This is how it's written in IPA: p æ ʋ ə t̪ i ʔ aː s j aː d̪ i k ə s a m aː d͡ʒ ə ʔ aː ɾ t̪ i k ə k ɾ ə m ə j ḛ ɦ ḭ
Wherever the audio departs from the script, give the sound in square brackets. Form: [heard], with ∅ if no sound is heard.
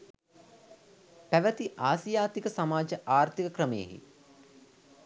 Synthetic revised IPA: p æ ʋ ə t̪ i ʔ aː s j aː [t̪] i k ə s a m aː d͡ʒ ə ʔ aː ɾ t̪ i k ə k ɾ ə m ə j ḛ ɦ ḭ